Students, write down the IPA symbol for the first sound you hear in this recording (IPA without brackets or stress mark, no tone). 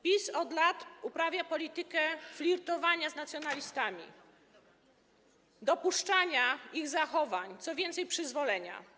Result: pʲ